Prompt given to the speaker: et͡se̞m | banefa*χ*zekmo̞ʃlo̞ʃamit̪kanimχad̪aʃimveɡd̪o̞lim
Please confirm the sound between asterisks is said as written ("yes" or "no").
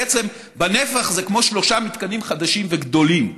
yes